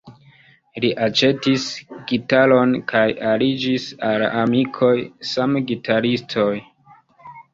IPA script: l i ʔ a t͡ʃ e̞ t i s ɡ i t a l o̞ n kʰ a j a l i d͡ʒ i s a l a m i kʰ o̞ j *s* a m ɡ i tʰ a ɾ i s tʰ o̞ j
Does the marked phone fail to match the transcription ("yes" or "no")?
no